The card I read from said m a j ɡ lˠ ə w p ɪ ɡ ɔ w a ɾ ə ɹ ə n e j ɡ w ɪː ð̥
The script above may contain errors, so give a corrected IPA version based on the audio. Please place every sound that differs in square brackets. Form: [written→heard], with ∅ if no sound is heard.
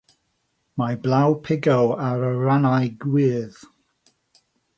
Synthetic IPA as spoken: m a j [ɡ→b] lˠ [ə→a] w [p→pʰ] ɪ ɡ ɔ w a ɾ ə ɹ [ə→a] n [e→a] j ɡ w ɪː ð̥